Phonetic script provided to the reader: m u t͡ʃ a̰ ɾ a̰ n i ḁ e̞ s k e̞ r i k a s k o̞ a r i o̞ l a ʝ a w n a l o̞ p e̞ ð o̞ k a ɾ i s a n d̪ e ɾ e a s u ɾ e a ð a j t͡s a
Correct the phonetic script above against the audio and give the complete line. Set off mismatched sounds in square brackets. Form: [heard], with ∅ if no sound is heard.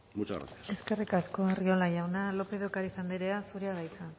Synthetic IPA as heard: m u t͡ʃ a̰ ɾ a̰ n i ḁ e̞ s k e̞ r i k a s k o̞ [e] r i o̞ l a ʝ a w n a l o̞ p e̞ ð o̞ k a ɾ i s a n d̪ e ɾ e a s u ɾ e a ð a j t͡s a